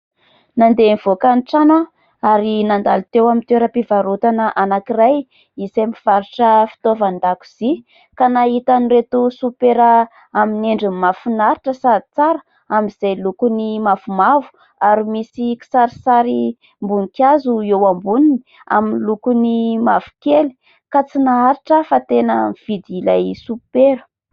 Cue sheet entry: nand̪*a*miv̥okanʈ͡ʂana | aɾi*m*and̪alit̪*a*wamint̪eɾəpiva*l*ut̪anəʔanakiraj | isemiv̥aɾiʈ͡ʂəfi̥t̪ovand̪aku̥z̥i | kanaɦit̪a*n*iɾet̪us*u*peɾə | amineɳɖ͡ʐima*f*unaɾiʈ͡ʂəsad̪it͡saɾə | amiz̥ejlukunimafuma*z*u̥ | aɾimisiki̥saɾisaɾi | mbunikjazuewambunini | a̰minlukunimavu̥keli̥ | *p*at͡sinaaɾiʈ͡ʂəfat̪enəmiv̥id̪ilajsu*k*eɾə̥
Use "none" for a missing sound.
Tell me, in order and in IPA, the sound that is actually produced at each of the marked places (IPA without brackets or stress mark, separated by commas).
e, n, e, ɾ, n, u, f, v, k, p